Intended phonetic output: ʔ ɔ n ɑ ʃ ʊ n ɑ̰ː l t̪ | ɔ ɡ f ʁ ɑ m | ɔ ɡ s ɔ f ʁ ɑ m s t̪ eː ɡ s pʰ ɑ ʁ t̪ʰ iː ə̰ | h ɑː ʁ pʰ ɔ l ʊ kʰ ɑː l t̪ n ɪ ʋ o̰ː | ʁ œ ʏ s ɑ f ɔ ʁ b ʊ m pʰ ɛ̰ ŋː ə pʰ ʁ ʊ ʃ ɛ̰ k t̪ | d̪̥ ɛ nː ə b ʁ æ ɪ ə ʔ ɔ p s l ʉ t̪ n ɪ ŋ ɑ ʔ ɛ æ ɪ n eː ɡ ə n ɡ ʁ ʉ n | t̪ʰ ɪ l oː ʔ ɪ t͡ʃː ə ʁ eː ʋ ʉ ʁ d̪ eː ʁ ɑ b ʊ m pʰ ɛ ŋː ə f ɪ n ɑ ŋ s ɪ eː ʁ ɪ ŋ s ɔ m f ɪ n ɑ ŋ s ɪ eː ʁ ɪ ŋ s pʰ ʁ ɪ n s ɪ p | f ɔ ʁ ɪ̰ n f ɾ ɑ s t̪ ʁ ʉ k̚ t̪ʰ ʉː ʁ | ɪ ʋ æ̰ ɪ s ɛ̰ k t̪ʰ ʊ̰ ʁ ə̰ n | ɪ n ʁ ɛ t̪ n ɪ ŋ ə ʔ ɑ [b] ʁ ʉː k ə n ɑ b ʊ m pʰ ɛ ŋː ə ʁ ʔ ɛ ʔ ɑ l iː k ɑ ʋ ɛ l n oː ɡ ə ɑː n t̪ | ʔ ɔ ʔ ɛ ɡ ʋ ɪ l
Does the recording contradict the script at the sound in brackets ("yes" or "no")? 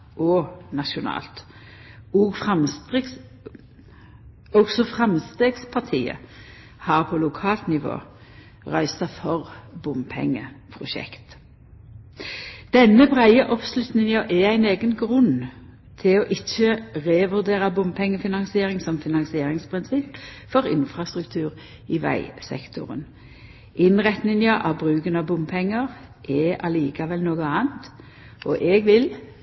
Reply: no